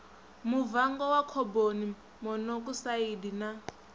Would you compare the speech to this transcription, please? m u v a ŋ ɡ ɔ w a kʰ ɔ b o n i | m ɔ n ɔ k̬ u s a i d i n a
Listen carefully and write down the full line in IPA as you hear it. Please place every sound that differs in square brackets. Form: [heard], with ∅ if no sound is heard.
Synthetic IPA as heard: m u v a ŋ ɡ ɔ w a kʰ ɔ b o n i | m ɔ n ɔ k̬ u s a i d i n a

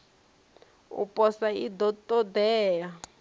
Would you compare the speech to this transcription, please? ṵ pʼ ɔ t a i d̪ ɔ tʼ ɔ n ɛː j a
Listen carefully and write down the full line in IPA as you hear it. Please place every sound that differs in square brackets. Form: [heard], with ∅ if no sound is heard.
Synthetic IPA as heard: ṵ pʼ ɔ [s] a i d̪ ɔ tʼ ɔ [d] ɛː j a

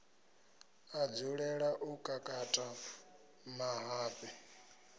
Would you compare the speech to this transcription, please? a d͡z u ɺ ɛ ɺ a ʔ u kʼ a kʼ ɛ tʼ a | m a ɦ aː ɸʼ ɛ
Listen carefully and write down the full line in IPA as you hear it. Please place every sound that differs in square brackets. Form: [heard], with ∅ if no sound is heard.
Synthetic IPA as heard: a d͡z u ɺ ɛ ɺ a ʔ u kʼ a kʼ [a] tʼ a | m a ɦ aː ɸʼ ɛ

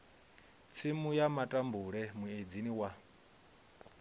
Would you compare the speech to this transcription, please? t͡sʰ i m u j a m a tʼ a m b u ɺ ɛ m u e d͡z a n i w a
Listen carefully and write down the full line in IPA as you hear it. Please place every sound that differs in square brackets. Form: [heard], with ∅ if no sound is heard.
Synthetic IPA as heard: t͡sʰ i m u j a m a tʼ a m b u ɺ ɛ m u e d͡z [i] n i w a

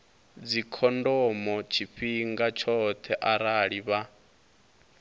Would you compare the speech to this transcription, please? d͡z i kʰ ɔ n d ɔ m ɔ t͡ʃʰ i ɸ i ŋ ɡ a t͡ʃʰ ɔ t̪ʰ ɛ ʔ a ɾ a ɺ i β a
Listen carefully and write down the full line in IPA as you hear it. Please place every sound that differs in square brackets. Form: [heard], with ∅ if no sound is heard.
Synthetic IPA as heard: d͡z i kʰ ɔ n d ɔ m ɔ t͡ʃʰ i ɸ i ŋ ɡ a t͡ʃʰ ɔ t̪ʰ ɛ ʔ a ɾ a ɺ i β a

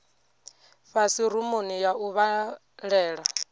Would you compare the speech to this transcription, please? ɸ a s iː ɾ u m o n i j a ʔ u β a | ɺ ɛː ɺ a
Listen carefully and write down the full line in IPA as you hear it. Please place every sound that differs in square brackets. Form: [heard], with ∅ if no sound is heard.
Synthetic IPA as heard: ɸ a s [i] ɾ u m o n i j a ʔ u β a | ɺ ɛː ɺ a

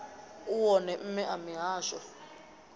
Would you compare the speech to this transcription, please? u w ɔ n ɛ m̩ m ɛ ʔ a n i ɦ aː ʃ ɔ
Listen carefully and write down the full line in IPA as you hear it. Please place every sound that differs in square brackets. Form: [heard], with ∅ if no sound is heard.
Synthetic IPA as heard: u w ɔ n ɛ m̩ m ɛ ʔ a [m] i ɦ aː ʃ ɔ

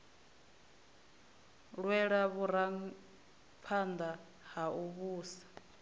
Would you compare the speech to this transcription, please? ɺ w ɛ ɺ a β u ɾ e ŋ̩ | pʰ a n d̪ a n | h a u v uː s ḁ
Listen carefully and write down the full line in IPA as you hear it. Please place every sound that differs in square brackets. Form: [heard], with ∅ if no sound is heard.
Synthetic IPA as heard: ɺ w ɛ ɺ a β u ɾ [a] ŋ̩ | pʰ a n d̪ a [∅] | h a u [β] uː s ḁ

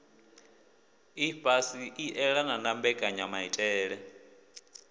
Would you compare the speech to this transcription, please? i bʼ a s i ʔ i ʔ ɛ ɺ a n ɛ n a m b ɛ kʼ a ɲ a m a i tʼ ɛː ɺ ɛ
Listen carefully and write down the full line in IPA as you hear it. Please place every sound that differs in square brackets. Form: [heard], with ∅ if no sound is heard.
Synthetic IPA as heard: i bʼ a s i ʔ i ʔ ɛ ɺ a n [a] n a m b ɛ kʼ a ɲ a m a i tʼ ɛː ɺ ɛ

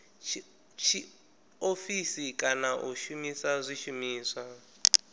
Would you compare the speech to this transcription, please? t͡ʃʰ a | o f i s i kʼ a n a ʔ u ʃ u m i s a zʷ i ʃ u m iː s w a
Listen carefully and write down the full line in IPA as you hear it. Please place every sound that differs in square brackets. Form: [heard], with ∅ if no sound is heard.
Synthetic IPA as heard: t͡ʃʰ [i] | o f i s i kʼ a n a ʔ u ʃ u m i s a zʷ i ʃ u m iː s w a

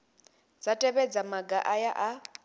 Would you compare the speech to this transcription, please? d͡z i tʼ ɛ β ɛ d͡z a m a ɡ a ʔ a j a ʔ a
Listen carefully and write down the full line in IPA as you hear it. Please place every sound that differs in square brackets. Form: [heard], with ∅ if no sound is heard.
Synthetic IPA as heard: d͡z [a] tʼ ɛ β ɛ d͡z a m a ɡ a ʔ a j a ʔ a

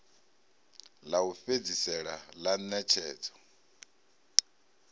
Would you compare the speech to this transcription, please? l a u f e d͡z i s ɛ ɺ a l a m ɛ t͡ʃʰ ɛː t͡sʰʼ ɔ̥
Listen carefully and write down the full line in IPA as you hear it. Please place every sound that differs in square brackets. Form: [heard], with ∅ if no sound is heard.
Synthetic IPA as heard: l a u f e d͡z i s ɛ ɺ a l a [n] ɛ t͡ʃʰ ɛː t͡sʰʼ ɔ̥

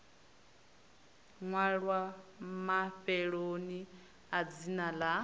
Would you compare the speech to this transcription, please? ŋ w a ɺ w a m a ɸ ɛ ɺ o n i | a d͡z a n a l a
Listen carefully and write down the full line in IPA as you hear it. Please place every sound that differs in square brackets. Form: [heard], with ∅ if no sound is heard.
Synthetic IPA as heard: ŋ w a ɺ w a m a ɸ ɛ ɺ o n i | a d͡z [i] n a l a

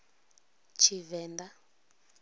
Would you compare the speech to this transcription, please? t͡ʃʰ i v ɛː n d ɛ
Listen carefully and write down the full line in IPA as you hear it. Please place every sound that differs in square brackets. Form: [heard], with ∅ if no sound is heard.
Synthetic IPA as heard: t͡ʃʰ i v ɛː n d [a]

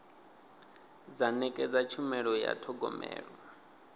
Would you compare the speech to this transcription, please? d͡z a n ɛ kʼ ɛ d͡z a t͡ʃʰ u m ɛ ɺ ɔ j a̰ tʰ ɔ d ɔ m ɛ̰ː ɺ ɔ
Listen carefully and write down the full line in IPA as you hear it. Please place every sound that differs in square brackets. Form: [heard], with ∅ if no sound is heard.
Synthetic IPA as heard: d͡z a n ɛ kʼ ɛ d͡z a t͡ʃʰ u m ɛ ɺ ɔ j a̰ tʰ ɔ [ɡ] ɔ m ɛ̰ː ɺ ɔ

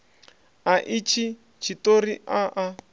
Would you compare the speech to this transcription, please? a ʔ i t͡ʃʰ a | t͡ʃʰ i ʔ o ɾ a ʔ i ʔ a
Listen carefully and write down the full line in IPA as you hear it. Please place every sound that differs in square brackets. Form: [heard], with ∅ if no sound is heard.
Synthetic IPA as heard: a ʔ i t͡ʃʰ [i] | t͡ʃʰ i [t] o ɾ [i] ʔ [a] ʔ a

